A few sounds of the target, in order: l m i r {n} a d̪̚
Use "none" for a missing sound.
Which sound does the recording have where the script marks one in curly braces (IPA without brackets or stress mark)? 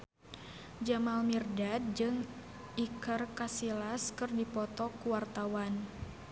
d